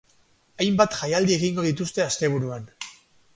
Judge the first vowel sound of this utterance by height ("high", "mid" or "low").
low